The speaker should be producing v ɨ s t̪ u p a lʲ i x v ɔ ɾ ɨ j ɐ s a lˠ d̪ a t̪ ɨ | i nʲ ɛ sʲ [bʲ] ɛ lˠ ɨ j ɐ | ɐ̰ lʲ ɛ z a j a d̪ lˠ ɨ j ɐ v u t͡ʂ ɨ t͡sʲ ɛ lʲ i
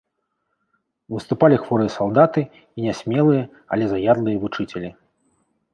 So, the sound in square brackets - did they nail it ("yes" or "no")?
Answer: no